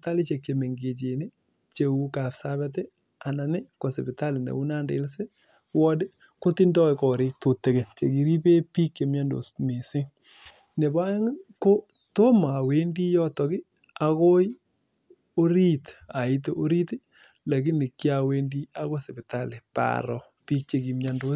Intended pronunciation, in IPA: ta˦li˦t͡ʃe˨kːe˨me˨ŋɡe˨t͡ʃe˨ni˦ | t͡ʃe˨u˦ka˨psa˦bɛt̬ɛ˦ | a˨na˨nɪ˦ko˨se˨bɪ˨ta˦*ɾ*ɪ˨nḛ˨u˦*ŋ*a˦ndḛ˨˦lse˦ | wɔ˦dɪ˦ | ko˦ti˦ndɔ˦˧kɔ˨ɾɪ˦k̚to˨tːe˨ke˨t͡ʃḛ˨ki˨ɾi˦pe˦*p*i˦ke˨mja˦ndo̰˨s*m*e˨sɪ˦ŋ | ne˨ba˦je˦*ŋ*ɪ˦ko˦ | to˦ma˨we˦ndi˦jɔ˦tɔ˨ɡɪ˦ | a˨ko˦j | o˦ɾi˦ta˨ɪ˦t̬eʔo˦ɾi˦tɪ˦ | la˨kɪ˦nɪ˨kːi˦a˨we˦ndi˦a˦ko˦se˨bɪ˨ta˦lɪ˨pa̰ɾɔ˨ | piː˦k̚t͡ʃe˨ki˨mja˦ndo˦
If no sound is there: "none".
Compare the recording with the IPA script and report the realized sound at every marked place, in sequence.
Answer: l, n, p, m, ŋ

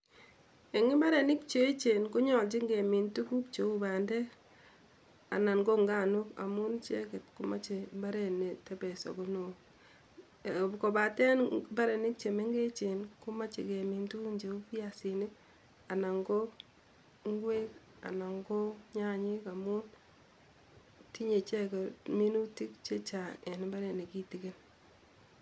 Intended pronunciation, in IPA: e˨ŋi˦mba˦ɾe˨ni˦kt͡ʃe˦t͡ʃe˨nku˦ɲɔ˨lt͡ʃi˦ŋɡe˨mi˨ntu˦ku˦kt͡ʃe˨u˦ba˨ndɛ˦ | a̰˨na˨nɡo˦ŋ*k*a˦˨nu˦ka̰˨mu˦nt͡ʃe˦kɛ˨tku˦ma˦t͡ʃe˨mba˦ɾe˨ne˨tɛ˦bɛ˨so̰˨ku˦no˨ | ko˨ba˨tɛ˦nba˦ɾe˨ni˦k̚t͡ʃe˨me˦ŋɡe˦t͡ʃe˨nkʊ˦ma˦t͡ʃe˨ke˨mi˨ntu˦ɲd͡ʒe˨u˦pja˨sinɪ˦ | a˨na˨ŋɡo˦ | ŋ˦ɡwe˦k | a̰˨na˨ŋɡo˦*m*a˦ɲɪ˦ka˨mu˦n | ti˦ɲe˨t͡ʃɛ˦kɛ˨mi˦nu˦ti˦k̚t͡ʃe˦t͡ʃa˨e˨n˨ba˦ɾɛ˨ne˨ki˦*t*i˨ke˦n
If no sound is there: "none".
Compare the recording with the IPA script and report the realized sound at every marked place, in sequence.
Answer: ɡ, ɲ, t

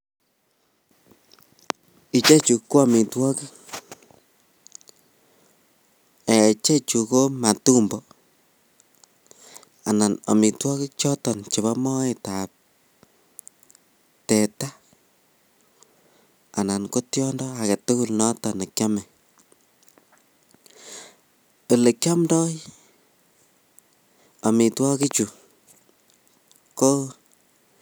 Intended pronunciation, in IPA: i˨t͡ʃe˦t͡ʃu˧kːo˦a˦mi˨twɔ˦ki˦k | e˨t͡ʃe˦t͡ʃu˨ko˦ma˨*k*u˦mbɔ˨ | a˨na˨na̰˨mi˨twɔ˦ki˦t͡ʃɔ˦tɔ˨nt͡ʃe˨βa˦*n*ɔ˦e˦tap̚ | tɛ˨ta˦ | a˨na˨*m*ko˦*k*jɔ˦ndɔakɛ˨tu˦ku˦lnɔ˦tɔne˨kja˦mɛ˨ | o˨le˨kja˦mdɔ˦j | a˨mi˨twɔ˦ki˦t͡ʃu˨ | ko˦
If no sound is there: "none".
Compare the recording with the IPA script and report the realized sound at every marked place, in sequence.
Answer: t, m, n, t

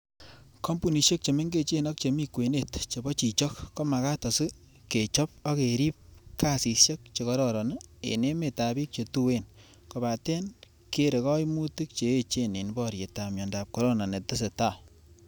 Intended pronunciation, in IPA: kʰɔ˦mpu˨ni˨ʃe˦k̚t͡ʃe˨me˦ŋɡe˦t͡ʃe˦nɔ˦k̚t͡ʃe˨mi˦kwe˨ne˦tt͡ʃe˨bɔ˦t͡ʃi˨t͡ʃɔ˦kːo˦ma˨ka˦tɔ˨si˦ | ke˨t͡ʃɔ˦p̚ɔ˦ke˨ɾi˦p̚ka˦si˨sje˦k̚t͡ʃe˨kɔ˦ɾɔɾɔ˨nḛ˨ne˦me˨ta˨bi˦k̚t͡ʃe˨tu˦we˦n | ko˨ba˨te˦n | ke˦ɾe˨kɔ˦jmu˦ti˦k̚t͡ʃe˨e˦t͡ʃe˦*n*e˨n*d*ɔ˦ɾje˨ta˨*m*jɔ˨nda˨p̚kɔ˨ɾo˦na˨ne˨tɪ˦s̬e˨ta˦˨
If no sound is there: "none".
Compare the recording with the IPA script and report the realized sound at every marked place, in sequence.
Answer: n, b, m

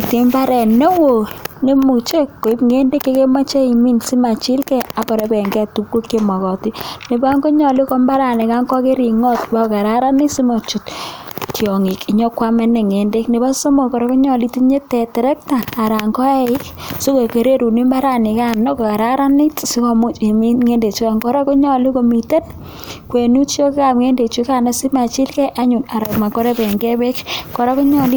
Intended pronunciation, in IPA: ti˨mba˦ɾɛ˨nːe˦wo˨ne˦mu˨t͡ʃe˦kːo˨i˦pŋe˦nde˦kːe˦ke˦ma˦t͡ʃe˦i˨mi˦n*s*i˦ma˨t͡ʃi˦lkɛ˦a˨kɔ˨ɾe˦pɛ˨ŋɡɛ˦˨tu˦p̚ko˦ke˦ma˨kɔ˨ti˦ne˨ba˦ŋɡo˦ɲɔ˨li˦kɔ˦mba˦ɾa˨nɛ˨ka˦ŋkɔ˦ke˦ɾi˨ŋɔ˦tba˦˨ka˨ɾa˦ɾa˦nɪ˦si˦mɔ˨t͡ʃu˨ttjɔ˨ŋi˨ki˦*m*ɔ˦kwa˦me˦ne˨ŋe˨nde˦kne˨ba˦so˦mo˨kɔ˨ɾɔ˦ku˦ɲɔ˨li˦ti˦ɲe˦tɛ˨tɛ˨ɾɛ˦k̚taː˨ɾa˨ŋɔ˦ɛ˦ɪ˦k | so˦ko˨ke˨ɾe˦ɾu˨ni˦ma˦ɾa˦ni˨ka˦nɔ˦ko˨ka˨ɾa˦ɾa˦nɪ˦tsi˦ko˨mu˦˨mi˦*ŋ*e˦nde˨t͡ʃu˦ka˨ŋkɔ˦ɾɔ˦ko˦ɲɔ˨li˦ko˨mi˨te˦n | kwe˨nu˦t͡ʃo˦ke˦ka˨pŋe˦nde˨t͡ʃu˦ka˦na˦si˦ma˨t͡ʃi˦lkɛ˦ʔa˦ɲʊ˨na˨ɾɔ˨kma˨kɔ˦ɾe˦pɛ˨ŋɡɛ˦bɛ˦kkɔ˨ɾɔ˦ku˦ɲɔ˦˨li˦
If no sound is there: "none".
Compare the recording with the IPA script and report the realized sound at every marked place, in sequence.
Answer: s, ɲ, ŋ

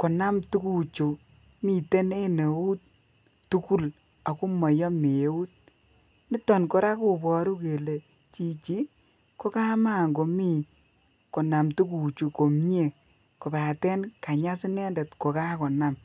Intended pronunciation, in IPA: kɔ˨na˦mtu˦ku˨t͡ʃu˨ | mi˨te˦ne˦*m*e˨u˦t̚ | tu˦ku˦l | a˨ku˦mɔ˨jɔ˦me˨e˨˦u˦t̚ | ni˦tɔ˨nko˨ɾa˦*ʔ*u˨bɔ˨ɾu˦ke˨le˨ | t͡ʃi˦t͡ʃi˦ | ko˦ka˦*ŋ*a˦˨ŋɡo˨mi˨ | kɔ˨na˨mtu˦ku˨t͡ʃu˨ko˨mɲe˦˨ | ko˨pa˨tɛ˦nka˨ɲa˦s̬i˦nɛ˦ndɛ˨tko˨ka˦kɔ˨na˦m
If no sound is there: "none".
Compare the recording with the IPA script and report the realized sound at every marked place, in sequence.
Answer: n, k, m

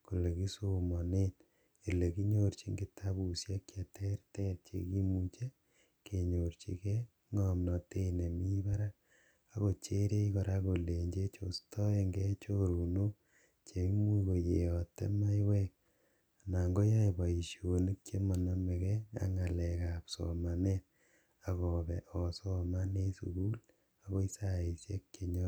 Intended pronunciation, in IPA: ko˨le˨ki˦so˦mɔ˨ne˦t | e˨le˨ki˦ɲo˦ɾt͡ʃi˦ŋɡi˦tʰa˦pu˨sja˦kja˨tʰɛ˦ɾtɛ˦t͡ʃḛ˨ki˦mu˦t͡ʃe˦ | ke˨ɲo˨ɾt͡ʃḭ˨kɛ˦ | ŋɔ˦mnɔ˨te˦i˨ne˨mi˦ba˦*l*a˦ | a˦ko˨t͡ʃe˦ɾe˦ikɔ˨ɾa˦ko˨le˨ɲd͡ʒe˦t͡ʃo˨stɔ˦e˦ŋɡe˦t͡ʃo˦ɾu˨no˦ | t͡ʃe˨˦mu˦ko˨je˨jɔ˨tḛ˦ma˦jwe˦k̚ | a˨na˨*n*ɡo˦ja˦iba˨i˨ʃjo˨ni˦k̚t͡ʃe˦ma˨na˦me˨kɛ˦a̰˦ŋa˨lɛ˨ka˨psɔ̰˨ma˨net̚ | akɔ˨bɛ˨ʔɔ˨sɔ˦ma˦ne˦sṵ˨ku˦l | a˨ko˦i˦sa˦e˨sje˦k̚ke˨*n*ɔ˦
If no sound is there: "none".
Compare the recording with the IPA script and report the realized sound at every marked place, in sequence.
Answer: ɾ, ŋ, ɲ

